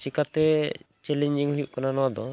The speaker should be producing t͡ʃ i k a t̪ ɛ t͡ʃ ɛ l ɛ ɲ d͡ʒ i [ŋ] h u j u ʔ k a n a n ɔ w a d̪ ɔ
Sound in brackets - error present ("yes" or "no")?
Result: no